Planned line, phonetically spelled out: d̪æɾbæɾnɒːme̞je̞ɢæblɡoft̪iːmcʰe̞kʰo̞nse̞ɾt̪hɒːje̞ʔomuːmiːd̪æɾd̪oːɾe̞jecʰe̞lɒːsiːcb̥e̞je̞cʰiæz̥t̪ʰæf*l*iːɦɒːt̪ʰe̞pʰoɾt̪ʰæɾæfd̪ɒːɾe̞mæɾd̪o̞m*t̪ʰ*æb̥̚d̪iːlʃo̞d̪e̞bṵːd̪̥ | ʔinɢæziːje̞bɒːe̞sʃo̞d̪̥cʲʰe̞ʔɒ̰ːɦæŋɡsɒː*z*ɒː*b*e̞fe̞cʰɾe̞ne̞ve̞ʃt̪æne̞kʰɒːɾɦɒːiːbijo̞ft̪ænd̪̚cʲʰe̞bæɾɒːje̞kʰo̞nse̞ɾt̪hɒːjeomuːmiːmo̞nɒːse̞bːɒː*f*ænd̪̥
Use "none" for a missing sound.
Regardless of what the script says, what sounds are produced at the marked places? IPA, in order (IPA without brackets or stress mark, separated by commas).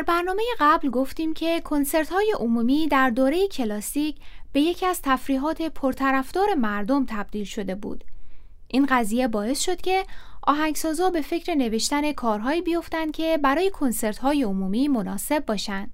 ɾ, t̪ʰ, z, b, ʃ